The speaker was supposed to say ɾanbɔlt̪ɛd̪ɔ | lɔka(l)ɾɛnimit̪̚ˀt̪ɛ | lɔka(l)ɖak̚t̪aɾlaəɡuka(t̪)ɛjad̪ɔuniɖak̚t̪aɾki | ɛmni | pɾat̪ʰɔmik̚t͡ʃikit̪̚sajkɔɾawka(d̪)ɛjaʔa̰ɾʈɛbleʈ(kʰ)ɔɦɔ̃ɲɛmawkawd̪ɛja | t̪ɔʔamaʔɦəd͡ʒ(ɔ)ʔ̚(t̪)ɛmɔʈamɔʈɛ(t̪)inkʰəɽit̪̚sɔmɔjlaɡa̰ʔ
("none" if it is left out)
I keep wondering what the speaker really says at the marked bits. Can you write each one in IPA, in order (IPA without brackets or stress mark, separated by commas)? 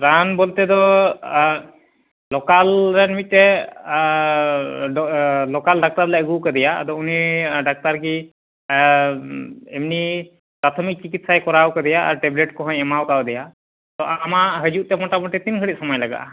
l, l, d̪, d̪, k, u, t̪, t̪